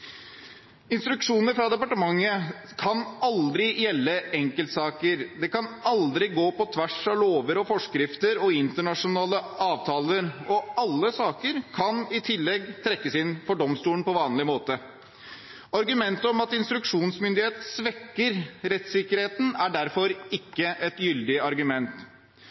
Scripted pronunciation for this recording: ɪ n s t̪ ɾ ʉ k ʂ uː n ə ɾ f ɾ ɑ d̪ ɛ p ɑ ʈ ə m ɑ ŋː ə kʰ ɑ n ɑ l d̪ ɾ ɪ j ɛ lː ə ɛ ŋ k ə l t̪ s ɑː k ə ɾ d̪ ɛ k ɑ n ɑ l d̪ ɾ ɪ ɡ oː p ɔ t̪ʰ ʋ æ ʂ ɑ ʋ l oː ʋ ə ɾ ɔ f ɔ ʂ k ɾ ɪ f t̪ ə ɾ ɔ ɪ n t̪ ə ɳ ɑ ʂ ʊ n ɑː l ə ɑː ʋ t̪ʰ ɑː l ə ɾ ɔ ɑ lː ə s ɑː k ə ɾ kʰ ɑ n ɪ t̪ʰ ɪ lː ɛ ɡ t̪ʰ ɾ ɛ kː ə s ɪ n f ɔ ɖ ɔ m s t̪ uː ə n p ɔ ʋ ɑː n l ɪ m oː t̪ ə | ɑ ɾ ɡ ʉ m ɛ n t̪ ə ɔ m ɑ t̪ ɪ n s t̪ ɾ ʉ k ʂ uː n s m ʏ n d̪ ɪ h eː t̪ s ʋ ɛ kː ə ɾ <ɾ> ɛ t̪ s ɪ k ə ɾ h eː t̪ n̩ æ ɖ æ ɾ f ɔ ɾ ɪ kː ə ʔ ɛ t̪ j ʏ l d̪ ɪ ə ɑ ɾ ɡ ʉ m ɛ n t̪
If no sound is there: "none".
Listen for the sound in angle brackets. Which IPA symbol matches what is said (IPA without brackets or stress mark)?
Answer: ɾ